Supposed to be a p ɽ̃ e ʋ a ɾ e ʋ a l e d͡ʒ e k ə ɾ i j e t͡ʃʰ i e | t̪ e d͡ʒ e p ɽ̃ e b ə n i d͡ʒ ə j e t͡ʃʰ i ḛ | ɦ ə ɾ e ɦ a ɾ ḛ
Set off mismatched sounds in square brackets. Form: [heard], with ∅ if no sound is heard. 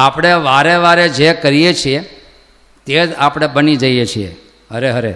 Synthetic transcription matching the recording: a p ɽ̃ e ʋ a ɾ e ʋ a [ɾ] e d͡ʒ e k ə ɾ i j e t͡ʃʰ i e | t̪ e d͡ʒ [a] p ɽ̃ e b ə n i d͡ʒ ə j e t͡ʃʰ i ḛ | ɦ ə ɾ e ɦ [ə] ɾ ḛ